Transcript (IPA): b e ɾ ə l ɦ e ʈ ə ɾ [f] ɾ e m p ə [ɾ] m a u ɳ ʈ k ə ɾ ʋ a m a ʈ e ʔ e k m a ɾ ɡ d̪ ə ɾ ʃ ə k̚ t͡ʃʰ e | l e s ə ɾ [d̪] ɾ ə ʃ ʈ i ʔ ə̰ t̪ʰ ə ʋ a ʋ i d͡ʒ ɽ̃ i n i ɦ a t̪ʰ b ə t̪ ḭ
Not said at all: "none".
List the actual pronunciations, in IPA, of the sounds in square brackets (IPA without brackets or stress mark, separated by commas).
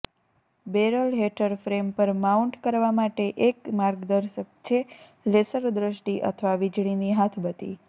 f, ɾ, d̪